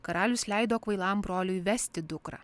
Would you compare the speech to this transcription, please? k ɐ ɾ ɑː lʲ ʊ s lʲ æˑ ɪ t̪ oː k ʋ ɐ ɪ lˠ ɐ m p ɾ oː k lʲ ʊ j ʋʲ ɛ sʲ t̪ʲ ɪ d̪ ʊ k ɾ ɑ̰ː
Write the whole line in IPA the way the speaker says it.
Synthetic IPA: k ɐ ɾ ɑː lʲ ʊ s lʲ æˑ ɪ d̪ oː k ʋ ɐ ɪ lˠ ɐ m b ɾ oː lʲ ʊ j ʋʲ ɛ sʲ t̪ʲ ɪ d̪ ʊ k ɾ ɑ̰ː